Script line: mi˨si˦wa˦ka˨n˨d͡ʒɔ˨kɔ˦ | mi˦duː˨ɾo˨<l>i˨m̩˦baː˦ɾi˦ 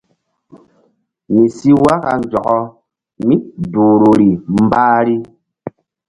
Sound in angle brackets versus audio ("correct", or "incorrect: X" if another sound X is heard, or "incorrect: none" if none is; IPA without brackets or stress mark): incorrect: ɾ